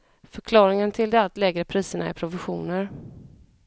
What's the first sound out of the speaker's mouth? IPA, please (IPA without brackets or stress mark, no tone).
f